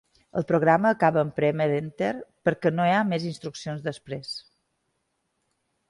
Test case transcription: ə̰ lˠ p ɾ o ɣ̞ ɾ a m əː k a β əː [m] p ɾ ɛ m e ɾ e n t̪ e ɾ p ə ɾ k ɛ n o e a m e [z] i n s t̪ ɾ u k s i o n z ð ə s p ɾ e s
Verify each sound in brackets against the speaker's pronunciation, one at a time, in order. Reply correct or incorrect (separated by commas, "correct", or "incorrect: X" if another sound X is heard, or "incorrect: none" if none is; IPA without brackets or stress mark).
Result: correct, correct